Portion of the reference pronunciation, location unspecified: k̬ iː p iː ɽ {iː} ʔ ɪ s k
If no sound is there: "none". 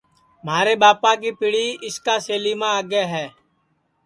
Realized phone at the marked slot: iː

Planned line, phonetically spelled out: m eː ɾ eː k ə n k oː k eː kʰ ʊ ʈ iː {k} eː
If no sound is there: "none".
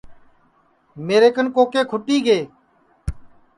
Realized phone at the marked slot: ɡ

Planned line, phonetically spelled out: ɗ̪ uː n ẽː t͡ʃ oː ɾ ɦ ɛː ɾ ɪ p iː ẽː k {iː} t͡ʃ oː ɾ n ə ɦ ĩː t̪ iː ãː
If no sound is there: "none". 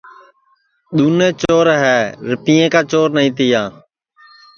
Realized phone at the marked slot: aː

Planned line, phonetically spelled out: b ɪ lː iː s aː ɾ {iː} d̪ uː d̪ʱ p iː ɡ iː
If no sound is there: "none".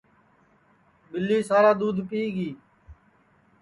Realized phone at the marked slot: aː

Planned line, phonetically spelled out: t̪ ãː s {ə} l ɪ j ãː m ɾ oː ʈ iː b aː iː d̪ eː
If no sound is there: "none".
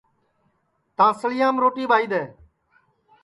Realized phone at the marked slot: ə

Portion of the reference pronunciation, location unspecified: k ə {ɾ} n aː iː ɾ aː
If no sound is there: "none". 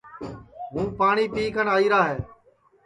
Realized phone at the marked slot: none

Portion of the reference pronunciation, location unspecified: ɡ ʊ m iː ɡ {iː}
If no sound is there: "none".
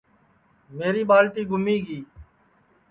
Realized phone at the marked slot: iː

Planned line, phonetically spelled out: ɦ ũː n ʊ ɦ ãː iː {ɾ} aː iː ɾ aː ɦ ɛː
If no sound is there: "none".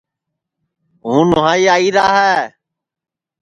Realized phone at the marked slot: none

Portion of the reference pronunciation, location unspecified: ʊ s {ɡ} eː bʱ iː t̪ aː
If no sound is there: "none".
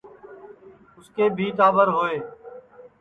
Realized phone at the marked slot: k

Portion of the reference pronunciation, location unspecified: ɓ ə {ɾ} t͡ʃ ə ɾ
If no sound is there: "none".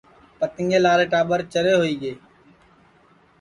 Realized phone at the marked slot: ɾ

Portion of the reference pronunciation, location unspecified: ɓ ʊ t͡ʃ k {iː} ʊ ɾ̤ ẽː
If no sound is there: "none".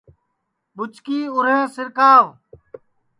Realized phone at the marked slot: iː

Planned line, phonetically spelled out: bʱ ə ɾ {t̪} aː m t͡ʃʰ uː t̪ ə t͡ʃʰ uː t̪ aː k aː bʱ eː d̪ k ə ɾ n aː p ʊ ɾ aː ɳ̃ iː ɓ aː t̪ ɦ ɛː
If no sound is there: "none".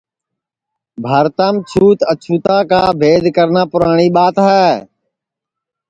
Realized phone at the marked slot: t̪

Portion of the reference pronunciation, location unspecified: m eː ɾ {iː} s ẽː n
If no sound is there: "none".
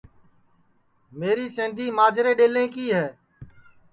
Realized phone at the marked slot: iː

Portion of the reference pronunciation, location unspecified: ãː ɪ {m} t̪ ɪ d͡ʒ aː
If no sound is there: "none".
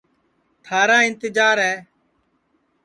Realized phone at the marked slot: n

